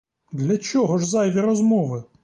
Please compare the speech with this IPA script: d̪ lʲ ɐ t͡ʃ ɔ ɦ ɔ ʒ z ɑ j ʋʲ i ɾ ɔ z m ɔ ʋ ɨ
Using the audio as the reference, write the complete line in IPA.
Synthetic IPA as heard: d̪ lʲ ɐ t͡ʃ ɔ ɦ ɔ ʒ z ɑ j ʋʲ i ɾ ɔ z m ɔ ʋ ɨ